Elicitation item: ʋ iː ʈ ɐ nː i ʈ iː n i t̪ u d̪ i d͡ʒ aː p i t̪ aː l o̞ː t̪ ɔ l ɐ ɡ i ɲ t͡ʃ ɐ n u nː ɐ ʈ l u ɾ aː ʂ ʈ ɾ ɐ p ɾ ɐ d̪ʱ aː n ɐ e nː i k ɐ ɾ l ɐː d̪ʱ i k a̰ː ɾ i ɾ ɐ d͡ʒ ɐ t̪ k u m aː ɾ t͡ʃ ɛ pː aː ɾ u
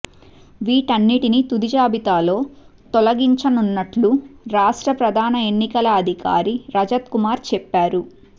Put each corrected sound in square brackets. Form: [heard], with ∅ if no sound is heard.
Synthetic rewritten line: ʋ iː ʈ ɐ nː i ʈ [i] n i t̪ u d̪ i d͡ʒ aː [b] i t̪ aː l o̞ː t̪ ɔ l ɐ ɡ i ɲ t͡ʃ ɐ n u nː ɐ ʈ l u ɾ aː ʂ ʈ ɾ ɐ p ɾ ɐ d̪ʱ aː n ɐ e nː i k ɐ [∅] l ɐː d̪ʱ i k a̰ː ɾ i ɾ ɐ d͡ʒ ɐ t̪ k u m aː ɾ t͡ʃ ɛ pː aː ɾ u